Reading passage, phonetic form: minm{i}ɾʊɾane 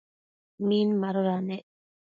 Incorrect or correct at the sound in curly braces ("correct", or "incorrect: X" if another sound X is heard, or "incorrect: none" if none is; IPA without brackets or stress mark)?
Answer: incorrect: a